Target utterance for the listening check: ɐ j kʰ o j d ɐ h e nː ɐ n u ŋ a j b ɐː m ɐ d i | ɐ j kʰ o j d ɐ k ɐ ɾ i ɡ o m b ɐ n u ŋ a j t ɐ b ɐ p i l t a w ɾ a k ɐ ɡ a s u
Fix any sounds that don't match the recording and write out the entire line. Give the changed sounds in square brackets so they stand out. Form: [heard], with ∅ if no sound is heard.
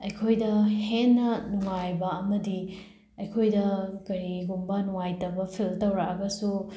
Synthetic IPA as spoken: ɐ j kʰ o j d ɐ h e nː ɐ n u ŋ a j b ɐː m ɐ d i | ɐ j kʰ o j d ɐ k ɐ ɾ i ɡ [u] m b ɐ n u ŋ a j t ɐ b ɐ [pʰ] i l t [ɐ] w ɾ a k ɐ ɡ [ɐ] s u